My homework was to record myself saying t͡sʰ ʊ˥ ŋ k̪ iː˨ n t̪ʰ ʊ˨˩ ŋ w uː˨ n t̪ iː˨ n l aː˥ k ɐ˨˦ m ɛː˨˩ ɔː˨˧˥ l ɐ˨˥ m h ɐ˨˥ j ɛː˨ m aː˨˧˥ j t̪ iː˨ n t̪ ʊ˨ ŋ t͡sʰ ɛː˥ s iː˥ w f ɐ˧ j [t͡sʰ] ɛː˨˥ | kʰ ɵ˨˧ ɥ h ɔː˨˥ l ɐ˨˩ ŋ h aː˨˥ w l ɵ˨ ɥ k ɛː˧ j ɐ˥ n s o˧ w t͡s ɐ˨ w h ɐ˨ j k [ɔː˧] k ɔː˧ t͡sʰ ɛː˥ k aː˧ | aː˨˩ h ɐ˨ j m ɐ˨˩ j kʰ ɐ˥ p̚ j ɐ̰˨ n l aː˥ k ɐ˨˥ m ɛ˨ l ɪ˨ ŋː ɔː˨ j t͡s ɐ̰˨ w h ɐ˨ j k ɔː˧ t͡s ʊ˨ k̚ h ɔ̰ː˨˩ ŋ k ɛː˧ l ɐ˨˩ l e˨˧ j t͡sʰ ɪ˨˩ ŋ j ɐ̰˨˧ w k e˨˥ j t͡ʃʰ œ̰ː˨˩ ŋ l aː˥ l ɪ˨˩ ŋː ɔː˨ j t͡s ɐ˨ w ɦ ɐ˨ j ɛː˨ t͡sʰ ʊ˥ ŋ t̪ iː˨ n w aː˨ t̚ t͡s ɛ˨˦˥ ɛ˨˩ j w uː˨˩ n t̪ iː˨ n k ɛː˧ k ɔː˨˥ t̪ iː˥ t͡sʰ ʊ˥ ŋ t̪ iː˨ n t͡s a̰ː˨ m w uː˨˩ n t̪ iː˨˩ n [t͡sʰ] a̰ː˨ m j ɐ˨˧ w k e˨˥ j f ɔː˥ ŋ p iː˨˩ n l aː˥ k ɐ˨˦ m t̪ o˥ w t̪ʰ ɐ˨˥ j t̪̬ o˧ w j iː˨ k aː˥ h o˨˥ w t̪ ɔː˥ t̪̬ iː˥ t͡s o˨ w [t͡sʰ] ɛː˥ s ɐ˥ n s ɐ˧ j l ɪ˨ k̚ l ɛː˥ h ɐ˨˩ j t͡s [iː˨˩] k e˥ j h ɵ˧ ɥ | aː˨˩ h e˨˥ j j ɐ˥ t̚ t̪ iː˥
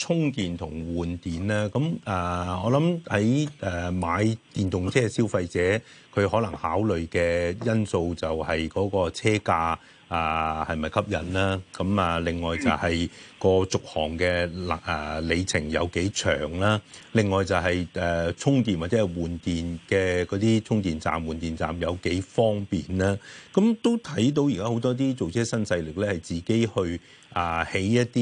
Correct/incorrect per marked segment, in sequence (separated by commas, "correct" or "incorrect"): incorrect, incorrect, incorrect, correct, correct